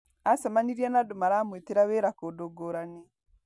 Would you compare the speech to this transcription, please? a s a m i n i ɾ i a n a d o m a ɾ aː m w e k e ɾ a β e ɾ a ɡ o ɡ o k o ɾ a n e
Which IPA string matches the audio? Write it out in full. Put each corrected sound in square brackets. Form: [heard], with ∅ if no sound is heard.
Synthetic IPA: a s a m [a] n i ɾ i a n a d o m a ɾ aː m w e [t] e ɾ a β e ɾ a [k] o [d] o [ɡ] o ɾ a n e